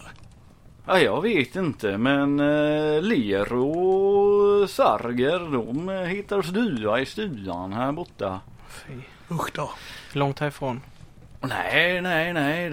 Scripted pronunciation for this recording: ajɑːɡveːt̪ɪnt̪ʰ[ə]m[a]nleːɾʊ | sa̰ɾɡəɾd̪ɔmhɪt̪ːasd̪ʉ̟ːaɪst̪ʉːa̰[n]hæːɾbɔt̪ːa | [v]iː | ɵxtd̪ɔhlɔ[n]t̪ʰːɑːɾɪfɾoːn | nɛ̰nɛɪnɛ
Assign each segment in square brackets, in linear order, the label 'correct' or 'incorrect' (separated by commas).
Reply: correct, incorrect, correct, incorrect, incorrect